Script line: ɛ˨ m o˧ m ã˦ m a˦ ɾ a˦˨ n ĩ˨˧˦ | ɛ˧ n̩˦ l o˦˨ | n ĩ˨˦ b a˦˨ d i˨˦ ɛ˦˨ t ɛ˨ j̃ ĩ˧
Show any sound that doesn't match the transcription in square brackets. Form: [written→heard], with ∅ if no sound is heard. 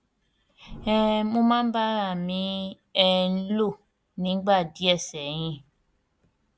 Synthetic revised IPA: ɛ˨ m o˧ m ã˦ [m→b] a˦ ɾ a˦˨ [n→m] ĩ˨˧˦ | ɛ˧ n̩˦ l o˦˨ | n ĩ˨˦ [b→ɡ͡b] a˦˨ d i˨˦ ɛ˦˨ [t→s] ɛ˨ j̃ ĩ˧